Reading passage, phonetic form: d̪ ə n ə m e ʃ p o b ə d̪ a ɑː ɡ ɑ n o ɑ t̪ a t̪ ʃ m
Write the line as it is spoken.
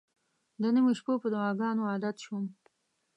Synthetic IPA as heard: d̪ ə n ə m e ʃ p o p ə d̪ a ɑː ɡ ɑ n o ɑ d̪ a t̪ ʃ m